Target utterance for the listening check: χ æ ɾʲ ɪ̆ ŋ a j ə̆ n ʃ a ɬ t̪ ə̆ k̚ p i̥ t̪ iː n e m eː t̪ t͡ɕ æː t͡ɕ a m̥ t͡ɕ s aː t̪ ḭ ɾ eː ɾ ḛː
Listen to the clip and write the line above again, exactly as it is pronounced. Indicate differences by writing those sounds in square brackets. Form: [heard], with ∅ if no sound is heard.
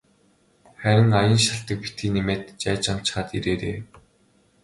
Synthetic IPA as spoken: χ æ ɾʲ ɪ̆ ŋ a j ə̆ n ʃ a ɬ t̪ ə̆ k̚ p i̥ t̪ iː n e m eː t̪ t͡ɕ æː t͡ɕ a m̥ t͡ɕ [χ] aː t̪ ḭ ɾ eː ɾ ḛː